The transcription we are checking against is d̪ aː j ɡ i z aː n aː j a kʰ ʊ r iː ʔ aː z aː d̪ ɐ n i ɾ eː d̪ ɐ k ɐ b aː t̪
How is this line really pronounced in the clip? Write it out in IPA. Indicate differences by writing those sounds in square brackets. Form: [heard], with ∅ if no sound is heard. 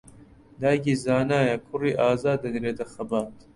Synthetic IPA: d̪ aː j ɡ i z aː n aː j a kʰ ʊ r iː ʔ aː z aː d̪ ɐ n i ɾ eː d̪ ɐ [x] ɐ b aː t̪